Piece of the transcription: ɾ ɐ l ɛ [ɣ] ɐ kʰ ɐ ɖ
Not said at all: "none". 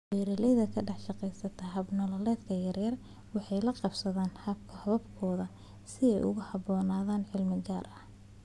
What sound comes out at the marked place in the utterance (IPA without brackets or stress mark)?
ð